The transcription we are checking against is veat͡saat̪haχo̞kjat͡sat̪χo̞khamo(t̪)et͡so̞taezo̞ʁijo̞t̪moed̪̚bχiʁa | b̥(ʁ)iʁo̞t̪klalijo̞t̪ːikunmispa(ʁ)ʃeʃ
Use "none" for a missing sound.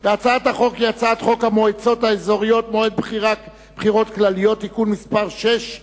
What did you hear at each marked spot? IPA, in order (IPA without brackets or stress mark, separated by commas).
none, χ, ʁ